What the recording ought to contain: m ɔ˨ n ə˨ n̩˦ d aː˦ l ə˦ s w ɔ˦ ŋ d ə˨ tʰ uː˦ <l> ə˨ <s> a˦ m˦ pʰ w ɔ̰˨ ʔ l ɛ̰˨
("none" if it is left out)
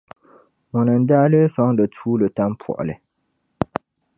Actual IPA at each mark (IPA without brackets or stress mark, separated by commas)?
l, t